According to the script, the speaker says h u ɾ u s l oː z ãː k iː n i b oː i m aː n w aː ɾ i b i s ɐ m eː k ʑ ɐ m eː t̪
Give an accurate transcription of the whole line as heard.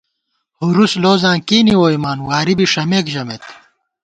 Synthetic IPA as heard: h u ɾ u s l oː z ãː k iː n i w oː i m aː n w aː ɾ i b i ʂ ɐ m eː k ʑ ɐ m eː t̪